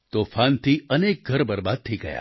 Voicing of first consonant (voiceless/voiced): voiceless